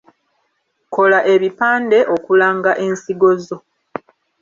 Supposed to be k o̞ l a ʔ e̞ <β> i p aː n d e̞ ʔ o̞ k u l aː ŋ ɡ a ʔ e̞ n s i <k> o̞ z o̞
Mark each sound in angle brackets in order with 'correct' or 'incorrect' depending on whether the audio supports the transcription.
correct, incorrect: ɡ

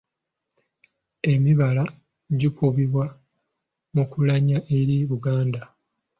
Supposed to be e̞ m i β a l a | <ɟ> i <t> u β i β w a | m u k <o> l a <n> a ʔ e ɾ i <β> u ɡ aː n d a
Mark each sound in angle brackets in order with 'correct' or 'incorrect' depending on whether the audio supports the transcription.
correct, incorrect: k, incorrect: u, incorrect: ɲ, correct

